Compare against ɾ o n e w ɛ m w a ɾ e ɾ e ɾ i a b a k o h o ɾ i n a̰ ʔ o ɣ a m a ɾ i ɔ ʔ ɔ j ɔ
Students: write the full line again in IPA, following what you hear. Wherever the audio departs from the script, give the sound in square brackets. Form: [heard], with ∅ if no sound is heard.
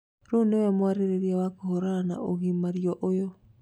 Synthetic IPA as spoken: ɾ o n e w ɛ m w a ɾ e ɾ e ɾ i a [w] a k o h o ɾ [a] n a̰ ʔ o ɣ [i] m a ɾ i ɔ ʔ [o] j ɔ